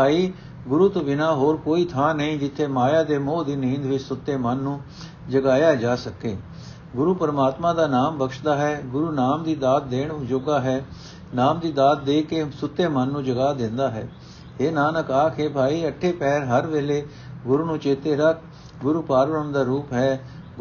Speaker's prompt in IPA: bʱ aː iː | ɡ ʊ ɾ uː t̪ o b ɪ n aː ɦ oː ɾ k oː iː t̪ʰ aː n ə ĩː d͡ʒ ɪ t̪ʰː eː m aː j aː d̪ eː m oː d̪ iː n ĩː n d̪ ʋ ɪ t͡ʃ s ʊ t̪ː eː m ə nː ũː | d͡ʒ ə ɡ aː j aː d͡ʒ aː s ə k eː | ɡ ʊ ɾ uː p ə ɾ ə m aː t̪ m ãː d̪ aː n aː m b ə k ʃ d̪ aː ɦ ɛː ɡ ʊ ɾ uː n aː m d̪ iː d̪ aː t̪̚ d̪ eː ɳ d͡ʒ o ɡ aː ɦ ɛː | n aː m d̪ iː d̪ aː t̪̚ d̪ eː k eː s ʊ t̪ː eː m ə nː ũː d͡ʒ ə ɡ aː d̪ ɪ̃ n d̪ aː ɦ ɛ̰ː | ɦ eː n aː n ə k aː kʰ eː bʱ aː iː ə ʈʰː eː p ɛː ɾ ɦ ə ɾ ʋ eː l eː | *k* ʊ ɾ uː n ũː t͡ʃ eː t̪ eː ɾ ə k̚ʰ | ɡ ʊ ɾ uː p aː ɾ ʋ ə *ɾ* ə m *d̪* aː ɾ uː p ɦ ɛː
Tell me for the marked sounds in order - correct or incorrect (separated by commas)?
incorrect, correct, correct